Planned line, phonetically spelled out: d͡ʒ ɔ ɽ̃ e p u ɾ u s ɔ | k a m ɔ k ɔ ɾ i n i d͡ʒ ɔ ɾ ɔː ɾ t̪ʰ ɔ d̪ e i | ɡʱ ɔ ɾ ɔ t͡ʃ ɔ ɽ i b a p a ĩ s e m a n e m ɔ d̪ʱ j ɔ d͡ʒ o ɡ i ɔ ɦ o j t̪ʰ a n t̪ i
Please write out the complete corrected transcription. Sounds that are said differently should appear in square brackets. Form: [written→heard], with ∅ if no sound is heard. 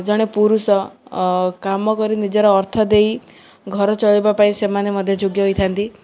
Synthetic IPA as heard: d͡ʒ ɔ ɽ̃ e p u ɾ u s ɔ | k a m ɔ k ɔ ɾ i n i d͡ʒ ɔ ɾ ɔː ɾ t̪ʰ ɔ d̪ e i | ɡʱ ɔ ɾ ɔ t͡ʃ ɔ [ɽ→ɭ] i b a p a ĩ s e m a n e m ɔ d̪ʱ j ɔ d͡ʒ o ɡ [i→j] ɔ ɦ o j t̪ʰ a n t̪ i